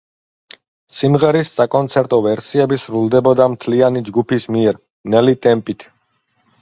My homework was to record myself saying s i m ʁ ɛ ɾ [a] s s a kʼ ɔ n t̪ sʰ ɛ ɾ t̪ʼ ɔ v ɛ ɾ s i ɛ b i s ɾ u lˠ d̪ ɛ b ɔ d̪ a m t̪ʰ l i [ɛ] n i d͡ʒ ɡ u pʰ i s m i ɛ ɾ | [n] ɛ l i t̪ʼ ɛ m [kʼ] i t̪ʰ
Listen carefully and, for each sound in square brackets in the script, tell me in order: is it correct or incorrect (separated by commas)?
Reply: incorrect, incorrect, correct, incorrect